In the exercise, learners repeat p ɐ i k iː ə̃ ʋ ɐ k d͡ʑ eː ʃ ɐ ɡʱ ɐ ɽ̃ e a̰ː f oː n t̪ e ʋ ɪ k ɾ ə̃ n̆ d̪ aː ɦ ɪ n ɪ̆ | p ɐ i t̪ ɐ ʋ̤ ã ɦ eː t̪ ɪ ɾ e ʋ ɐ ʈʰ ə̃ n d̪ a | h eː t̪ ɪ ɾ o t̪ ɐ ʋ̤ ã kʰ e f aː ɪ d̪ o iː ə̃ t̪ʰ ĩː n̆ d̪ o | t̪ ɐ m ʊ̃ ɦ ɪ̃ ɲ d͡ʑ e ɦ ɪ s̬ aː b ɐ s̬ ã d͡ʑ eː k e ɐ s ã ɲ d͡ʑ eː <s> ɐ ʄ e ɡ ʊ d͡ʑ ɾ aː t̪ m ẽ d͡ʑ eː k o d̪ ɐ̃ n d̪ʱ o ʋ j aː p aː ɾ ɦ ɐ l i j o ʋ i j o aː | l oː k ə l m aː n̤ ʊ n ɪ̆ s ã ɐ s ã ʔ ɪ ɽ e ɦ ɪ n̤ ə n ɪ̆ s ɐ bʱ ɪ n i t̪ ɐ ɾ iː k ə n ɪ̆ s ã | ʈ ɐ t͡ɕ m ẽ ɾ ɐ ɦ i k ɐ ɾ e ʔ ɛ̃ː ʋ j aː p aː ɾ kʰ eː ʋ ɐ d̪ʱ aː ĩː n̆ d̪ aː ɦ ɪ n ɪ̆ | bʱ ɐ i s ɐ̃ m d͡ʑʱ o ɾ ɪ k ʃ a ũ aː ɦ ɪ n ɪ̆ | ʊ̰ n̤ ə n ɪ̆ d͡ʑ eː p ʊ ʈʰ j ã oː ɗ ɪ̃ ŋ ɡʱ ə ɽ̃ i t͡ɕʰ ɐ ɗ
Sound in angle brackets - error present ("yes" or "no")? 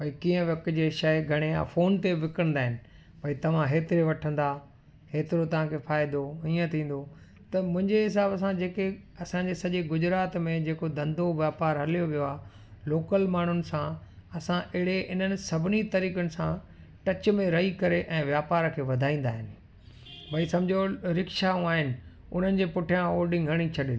no